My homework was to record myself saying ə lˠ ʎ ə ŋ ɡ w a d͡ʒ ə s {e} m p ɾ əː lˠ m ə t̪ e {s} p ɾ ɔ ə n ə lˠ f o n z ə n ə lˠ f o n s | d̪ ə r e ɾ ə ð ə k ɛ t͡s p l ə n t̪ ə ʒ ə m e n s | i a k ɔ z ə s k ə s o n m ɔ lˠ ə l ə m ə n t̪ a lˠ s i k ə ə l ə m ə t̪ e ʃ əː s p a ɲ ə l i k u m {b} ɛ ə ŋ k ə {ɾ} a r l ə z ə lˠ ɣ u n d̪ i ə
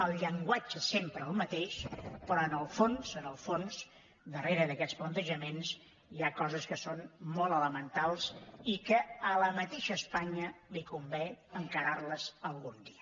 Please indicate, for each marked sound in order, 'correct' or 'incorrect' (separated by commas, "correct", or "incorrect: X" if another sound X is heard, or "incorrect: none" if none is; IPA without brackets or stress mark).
correct, incorrect: ʃ, correct, correct